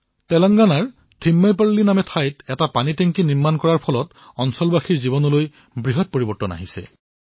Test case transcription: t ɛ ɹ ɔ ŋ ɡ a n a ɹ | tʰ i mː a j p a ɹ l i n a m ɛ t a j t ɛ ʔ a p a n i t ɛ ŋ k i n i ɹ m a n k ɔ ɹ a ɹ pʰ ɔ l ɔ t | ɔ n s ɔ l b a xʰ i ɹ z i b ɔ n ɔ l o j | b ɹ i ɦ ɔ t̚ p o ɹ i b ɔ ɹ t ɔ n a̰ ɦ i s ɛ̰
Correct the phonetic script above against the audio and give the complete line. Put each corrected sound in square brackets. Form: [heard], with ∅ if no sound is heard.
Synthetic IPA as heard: t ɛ [l] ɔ ŋ ɡ a n a ɹ | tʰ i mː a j p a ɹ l i n a m ɛ [tʰ] a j t ɛ [t] a p a n i t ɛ ŋ k i n i ɹ m a n k ɔ ɹ a ɹ pʰ ɔ l ɔ t | ɔ n s ɔ l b a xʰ i ɹ z i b ɔ n ɔ l o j | b ɹ i ɦ ɔ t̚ p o ɹ i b ɔ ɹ t ɔ n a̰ ɦ i s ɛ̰